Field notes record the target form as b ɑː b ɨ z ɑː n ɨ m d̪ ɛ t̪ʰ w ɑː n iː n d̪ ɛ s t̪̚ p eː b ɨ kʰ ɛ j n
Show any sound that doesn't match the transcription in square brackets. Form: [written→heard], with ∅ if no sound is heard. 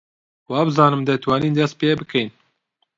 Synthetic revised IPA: [b→w] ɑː b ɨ z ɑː n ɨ m d̪ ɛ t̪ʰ w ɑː n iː n d̪ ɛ s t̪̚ p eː b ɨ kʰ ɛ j n